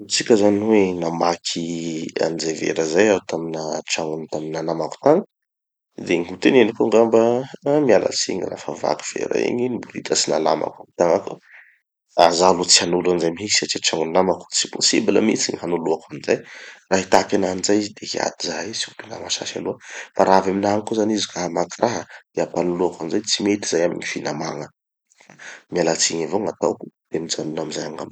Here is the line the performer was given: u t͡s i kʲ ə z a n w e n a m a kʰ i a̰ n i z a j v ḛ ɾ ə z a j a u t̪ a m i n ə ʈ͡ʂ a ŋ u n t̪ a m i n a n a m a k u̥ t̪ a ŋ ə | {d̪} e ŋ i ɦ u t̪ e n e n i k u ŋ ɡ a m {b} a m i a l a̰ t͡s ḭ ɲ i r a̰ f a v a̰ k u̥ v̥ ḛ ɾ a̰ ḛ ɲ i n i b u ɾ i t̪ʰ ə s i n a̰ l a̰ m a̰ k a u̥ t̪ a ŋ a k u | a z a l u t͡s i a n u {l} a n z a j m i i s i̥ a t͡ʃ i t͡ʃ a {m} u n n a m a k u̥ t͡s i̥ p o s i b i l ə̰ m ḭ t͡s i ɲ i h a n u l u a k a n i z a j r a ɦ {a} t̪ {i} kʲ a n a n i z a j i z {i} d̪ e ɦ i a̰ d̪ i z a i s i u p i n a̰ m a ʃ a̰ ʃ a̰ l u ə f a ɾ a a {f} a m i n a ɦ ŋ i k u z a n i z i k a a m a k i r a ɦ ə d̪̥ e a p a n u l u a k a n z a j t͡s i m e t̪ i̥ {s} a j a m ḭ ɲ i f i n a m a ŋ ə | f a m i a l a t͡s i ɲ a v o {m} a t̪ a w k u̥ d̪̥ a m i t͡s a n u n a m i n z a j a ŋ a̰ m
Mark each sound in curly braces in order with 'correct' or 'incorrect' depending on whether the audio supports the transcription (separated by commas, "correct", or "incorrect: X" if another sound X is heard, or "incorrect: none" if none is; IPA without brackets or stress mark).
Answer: correct, correct, correct, incorrect: ŋ, incorrect: i, incorrect: a, correct, incorrect: v, incorrect: z, incorrect: ŋ